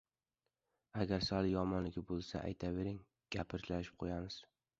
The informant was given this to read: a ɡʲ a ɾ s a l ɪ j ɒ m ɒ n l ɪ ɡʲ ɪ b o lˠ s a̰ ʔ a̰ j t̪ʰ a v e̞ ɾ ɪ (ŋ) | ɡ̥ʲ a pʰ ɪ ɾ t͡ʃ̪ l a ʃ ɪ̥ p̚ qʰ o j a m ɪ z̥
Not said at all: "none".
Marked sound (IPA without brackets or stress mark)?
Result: ŋ